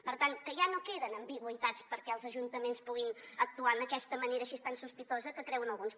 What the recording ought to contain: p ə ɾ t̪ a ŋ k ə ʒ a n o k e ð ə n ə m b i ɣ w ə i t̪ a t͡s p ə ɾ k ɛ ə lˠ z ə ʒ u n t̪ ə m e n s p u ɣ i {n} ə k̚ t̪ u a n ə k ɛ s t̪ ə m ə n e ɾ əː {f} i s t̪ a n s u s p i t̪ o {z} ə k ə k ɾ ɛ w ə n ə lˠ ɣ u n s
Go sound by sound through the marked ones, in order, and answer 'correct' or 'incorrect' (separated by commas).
correct, incorrect, correct